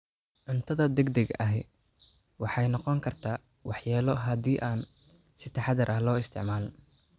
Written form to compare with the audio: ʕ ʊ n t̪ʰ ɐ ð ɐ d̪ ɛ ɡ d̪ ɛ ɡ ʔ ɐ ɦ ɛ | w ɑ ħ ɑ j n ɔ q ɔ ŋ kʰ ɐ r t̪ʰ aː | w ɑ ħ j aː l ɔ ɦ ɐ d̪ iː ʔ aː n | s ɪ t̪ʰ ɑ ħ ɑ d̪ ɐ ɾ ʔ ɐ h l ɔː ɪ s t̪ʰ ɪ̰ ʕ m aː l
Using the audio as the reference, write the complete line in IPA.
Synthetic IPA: ʕ ʊ n t̪ʰ ɐ ð ɐ d̪ ɛ ɡ d̪ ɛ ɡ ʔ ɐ ɦ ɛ | w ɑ ħ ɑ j n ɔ q ɔ ŋ kʰ ɐ r t̪ʰ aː | w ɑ ħ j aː l ɔ ɦ ɐ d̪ iː ʔ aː n | s ɪ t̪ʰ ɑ ħ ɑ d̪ ɐ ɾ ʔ ɐ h l ɔː ɪ s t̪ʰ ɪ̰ ʕ m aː l